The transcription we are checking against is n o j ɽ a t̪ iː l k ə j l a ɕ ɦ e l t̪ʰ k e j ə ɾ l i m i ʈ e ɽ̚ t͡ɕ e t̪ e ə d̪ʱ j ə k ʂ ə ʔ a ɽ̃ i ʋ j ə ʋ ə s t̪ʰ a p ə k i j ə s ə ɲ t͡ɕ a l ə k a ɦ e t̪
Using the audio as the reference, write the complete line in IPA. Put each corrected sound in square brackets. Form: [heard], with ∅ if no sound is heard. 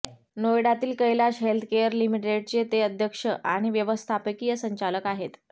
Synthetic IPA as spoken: n o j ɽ a t̪ iː l k ə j l a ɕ ɦ e l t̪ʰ k e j ə ɾ l i m i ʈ e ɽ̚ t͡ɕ e t̪ e ə d̪ʱ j ə k ʂ ə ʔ a ɽ̃ i ʋ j ə ʋ ə s t̪ʰ a p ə k i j ə s ə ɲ t͡ɕ a l ə k a ɦ e t̪